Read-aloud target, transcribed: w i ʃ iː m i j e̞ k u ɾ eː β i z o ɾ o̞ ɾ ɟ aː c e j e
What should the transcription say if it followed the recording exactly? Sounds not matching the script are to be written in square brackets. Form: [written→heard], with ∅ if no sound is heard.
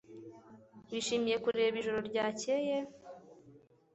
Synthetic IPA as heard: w i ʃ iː m i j e̞ k u ɾ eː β i [z→ʒ] o ɾ o̞ ɾ ɟ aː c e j e